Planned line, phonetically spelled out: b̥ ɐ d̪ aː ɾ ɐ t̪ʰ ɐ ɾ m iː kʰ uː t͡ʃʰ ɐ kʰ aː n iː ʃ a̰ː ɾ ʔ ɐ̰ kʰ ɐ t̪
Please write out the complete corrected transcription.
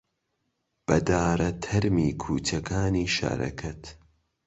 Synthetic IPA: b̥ ɐ d̪ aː ɾ ɐ t̪ʰ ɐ ɾ m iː kʰ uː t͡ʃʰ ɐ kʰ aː n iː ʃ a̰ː ɾ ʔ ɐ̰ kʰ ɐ t̪